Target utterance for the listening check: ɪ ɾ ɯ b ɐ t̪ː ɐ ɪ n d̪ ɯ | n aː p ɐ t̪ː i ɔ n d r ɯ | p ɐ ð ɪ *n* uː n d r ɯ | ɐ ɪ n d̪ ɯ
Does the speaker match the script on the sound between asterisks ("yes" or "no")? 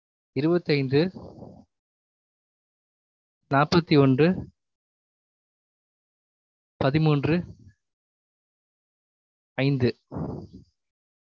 no